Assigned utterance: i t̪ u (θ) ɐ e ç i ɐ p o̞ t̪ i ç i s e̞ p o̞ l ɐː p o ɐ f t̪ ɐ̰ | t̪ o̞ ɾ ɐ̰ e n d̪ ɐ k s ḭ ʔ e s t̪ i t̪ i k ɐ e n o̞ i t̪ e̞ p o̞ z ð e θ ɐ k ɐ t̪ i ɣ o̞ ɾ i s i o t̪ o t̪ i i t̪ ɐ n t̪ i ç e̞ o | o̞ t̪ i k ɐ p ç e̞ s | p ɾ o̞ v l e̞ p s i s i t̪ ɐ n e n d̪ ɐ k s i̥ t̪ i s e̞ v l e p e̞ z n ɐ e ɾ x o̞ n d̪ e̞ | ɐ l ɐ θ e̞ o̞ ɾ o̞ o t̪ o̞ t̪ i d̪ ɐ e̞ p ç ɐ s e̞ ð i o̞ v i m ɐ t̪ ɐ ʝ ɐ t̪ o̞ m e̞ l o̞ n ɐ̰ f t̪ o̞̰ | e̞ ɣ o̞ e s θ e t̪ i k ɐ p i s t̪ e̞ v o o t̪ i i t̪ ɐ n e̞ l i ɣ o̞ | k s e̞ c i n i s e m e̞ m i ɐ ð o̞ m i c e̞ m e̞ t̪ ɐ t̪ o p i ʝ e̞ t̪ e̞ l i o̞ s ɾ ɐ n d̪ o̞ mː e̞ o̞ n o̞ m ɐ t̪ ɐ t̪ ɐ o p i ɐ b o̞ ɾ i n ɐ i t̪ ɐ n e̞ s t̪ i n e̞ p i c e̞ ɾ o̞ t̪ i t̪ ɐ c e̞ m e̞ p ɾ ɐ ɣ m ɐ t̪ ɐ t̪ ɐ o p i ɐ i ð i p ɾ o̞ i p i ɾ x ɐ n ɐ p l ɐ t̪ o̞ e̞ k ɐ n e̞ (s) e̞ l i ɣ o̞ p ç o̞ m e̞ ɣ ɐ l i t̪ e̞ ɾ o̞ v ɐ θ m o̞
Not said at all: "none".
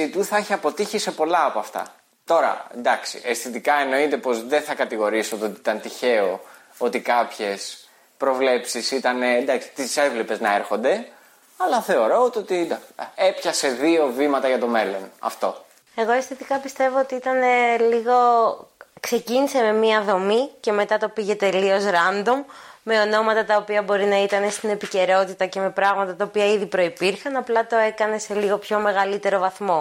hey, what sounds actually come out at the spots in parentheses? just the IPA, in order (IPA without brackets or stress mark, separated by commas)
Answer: θ, s